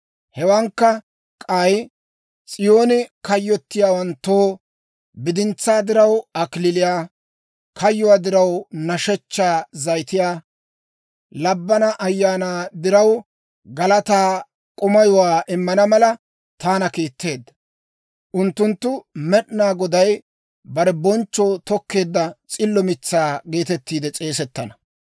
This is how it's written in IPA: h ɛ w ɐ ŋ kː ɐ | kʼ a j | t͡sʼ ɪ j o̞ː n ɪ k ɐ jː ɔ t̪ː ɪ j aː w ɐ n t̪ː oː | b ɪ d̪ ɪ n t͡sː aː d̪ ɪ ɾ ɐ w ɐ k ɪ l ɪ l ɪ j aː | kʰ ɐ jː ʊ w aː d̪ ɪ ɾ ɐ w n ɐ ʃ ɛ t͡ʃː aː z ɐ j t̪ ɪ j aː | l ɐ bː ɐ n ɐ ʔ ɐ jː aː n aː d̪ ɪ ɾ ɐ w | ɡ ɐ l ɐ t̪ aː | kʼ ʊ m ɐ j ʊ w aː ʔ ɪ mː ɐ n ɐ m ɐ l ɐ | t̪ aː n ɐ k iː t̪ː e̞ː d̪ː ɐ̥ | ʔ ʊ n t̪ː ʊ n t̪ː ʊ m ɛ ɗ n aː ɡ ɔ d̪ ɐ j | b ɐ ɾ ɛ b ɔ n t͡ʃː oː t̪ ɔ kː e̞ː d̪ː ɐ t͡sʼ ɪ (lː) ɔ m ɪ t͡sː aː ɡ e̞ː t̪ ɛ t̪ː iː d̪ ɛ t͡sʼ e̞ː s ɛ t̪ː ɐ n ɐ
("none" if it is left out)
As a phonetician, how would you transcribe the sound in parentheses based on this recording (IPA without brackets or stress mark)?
lː